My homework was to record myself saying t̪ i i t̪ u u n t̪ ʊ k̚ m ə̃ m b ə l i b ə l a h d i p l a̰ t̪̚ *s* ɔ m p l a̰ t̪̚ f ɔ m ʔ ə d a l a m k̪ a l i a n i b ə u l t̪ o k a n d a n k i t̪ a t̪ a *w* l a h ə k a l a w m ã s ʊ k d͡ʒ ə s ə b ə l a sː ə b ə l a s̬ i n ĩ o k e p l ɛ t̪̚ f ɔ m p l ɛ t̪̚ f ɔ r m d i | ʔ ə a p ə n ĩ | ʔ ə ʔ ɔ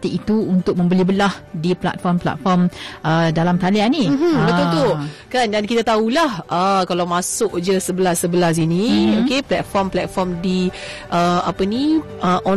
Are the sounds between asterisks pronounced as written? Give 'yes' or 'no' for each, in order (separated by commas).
no, no